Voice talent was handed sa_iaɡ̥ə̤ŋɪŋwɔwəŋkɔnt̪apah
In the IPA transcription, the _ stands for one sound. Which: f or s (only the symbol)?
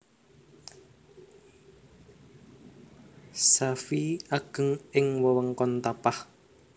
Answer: f